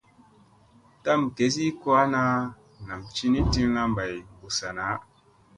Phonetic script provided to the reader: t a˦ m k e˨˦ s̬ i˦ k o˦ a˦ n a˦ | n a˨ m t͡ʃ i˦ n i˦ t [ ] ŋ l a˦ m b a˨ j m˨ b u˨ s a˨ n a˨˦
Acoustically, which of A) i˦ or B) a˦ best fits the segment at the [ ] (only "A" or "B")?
A